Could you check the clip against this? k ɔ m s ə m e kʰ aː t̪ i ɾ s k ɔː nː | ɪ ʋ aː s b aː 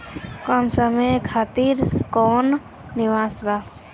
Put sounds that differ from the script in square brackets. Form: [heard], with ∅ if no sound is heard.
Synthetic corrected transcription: k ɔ m s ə m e kʰ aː t̪ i ɾ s k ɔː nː | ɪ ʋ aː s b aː